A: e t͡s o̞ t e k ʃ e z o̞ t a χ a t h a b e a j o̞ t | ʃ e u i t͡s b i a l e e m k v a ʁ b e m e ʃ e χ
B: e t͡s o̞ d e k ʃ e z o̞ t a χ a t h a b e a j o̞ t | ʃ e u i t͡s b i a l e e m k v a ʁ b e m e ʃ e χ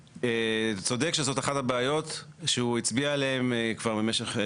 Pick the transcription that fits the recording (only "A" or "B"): B